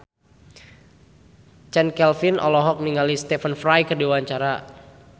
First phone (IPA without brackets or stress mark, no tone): t͡ʃ